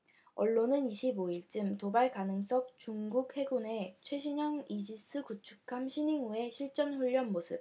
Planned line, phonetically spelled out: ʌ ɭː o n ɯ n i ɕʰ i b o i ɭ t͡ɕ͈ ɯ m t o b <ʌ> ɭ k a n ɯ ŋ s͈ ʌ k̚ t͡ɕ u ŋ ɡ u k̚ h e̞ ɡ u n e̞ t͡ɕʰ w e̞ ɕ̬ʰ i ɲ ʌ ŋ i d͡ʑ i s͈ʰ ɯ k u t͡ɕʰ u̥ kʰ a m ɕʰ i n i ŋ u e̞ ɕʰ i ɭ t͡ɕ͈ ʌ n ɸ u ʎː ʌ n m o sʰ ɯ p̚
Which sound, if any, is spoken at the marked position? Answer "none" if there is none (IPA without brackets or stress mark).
a